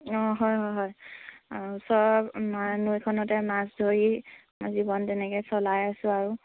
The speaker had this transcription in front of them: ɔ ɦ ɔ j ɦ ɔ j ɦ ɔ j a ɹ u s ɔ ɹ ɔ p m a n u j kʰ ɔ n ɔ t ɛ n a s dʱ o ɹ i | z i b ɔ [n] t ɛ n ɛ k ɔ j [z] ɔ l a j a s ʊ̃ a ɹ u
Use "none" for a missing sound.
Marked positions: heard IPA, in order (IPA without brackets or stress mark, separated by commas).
n, s